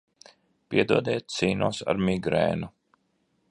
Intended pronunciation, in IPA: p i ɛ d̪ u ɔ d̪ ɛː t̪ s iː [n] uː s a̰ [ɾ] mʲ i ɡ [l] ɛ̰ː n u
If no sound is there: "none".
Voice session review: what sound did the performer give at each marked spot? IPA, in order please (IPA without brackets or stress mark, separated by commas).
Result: n, ɾ, ɾ